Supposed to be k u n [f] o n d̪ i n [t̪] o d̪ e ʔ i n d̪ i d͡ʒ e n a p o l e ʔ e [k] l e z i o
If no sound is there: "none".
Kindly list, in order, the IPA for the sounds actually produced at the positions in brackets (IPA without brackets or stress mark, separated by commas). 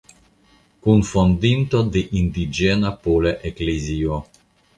f, t̪, k